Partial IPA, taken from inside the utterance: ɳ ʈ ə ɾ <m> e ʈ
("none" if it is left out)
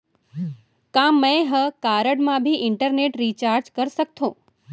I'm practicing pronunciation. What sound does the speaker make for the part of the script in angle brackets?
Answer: n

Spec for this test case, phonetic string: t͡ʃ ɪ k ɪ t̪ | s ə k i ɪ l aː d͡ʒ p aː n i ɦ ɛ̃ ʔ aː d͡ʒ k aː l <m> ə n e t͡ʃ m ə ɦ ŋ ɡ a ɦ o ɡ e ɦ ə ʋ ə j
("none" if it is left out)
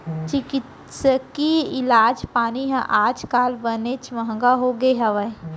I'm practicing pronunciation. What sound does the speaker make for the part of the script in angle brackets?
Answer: b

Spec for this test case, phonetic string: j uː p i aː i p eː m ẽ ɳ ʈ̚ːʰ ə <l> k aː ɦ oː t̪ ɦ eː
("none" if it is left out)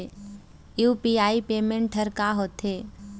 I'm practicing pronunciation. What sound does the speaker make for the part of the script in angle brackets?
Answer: ɾ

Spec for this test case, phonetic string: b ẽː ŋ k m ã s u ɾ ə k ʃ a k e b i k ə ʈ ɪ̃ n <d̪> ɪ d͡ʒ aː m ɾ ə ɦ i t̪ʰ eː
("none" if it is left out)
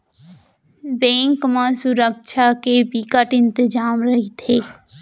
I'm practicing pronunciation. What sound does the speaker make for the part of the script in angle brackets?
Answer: t̪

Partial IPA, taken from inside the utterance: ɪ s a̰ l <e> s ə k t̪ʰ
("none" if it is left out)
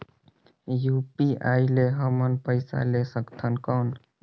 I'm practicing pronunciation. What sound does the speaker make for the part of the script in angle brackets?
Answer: e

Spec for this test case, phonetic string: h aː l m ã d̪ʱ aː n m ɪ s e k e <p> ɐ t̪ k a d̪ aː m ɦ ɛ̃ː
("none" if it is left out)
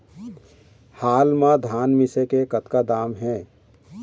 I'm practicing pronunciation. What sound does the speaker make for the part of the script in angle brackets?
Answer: k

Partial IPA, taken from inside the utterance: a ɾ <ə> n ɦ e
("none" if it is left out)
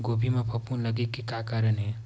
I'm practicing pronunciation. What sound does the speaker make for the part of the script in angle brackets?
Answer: ə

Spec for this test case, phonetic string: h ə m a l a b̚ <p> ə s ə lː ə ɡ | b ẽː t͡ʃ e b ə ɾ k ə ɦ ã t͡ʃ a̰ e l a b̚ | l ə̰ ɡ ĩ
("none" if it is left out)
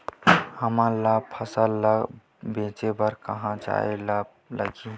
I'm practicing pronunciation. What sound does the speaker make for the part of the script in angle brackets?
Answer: pʰ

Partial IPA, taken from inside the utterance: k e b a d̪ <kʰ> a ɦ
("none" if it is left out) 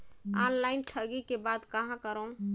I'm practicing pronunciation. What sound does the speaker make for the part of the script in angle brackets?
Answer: k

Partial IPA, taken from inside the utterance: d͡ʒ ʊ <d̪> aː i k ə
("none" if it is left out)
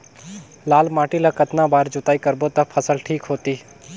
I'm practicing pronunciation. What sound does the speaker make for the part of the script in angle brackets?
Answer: t̪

